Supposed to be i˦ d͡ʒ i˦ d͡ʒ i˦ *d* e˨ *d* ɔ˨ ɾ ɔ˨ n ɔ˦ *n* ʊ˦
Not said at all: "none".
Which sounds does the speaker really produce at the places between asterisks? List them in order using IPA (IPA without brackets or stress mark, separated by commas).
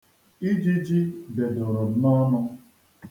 d, d, n